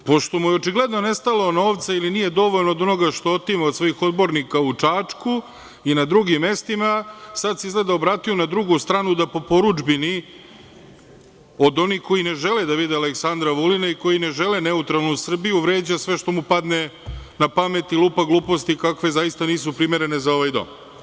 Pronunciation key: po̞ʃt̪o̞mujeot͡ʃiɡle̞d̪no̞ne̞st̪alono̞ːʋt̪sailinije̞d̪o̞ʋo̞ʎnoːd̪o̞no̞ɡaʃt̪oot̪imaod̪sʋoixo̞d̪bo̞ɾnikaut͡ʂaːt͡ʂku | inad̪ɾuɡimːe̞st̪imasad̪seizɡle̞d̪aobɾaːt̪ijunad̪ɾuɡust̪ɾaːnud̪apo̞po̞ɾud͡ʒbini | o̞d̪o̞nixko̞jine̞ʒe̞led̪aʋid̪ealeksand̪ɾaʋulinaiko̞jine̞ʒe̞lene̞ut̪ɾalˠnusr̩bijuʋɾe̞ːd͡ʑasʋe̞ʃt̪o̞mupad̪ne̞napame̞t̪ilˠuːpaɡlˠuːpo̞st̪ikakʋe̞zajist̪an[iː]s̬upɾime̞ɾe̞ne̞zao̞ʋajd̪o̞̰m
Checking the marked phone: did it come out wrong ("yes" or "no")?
no